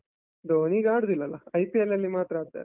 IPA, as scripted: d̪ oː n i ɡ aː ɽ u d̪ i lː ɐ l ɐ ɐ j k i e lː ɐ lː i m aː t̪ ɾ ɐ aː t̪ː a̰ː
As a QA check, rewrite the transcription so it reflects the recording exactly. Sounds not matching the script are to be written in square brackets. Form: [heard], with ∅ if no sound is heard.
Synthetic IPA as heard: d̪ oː n i ɡ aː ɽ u d̪ i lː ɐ l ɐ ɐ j [p] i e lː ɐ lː i m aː t̪ ɾ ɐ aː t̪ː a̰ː